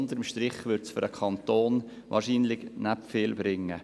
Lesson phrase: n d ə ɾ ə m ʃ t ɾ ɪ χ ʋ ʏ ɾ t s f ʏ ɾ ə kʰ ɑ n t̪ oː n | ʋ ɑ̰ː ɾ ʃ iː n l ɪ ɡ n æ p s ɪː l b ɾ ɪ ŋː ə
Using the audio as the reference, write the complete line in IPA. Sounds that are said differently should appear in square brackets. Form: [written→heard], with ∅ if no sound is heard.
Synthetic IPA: n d ə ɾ ə m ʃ t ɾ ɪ χ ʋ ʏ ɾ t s f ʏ ɾ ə kʰ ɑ n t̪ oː n | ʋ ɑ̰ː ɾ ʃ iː n l ɪ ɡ n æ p [s→f] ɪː l b ɾ ɪ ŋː ə